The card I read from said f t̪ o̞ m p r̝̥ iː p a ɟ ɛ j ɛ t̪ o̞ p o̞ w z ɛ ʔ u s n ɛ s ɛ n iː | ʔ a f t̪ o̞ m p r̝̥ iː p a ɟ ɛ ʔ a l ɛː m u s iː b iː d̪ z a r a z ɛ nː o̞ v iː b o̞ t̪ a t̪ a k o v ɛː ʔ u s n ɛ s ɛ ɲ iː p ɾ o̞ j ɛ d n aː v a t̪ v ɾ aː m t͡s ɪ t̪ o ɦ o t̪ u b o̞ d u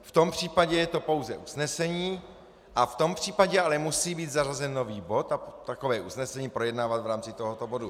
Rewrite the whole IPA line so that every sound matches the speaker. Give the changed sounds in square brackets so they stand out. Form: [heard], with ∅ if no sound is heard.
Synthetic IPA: f t̪ o̞ m p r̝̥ iː p a ɟ ɛ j ɛ t̪ o̞ p o̞ w z ɛ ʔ u s n ɛ s ɛ [ɲ] iː | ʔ a f t̪ o̞ m p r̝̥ iː p a ɟ ɛ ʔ a l [ɛ] m u s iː b iː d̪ z a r a z ɛ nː o̞ v iː b o̞ t̪ a t̪ a k o v ɛː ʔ u s n ɛ s ɛ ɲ iː p ɾ o̞ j ɛ d n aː v a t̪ v ɾ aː m t͡s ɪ t̪ o ɦ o t̪ [o] b o̞ d u